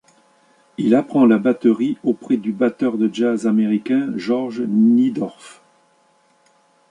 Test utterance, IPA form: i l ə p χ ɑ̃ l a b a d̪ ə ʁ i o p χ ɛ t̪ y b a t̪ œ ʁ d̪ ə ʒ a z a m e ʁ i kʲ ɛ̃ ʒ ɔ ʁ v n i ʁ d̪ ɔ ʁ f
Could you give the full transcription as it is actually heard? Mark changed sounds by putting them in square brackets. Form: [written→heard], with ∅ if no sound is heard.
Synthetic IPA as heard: i l [ə→a] p χ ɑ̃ l a b a [d̪→t̪] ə ʁ i o p χ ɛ [t̪→d̪] y b a t̪ œ ʁ d̪ ə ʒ a z a m e ʁ i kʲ ɛ̃ ʒ ɔ ʁ [v→ʒ] n i [ʁ→∅] d̪ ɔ ʁ f